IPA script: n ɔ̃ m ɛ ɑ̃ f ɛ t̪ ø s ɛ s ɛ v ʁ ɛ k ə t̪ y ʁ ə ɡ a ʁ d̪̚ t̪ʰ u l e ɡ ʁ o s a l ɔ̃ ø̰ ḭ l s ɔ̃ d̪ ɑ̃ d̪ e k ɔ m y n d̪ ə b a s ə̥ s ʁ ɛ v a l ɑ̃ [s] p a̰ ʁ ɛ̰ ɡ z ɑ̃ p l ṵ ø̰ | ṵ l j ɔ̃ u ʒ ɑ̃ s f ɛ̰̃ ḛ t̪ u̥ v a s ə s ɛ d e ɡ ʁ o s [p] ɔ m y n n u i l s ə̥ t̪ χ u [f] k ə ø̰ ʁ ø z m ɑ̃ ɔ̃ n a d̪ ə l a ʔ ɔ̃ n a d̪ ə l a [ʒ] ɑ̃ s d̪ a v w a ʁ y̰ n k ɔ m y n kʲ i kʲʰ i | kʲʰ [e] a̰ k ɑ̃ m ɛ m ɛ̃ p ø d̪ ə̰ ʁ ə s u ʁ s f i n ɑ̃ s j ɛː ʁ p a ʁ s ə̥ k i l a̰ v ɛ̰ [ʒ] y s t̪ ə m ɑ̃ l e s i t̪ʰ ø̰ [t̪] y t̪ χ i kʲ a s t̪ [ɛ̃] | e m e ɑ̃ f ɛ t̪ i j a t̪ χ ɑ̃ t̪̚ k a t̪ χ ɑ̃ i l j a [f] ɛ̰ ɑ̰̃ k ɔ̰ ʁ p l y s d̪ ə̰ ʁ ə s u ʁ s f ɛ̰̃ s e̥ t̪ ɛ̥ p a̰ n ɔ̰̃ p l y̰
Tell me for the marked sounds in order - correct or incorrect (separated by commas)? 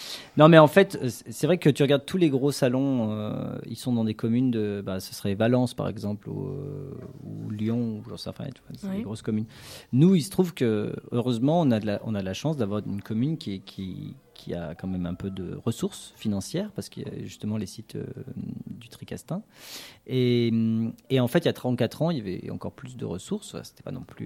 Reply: correct, incorrect, incorrect, incorrect, incorrect, correct, incorrect, correct, incorrect